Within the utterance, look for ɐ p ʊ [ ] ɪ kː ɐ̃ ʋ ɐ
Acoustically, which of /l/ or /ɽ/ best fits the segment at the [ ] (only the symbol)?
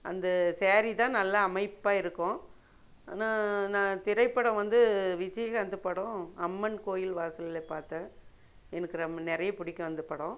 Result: ɽ